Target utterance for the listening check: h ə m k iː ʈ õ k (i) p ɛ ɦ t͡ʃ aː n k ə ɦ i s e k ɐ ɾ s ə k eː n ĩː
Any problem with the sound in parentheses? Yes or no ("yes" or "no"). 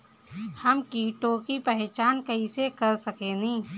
no